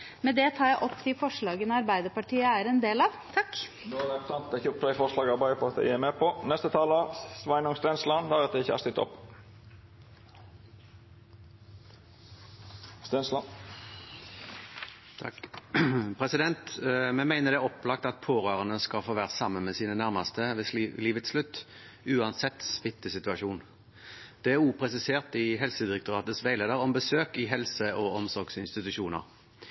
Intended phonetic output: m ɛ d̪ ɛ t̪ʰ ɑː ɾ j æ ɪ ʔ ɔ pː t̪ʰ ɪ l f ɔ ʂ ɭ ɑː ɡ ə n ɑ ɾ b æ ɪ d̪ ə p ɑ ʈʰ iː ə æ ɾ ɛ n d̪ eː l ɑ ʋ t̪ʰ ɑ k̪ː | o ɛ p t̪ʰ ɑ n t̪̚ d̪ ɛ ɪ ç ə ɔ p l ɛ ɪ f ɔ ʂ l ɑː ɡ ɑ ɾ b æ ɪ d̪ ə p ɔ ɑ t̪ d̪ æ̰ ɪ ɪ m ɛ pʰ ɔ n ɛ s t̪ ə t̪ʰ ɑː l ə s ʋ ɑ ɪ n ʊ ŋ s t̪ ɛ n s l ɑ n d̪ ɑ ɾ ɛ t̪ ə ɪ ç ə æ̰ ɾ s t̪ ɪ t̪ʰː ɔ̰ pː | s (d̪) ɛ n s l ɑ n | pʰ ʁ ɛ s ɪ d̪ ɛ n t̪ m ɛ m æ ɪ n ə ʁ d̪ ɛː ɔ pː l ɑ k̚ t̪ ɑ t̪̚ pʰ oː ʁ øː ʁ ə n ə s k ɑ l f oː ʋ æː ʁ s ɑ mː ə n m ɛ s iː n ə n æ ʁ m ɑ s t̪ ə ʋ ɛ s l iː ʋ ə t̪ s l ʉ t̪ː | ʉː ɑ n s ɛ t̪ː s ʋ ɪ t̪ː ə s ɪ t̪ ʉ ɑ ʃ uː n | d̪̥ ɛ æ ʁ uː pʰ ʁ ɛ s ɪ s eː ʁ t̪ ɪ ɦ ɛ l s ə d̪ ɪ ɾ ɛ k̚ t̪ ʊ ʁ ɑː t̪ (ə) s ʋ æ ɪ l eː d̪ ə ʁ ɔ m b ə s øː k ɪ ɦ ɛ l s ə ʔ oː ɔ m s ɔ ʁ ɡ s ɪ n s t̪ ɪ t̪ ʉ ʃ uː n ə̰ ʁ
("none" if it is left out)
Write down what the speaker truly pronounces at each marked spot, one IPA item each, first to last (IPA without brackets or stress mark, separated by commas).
t̪, ə